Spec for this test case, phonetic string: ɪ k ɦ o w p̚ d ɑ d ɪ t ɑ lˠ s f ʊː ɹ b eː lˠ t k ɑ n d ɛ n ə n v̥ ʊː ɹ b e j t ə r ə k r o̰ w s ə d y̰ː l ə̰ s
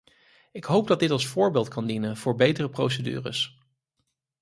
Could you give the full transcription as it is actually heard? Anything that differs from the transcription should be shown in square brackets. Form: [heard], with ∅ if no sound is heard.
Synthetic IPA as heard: ɪ k ɦ o w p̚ d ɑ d ɪ t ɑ lˠ s f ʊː ɹ b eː lˠ t k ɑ n d [i] n ə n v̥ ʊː ɹ b e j t ə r ə [p] r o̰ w s ə d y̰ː [r] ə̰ s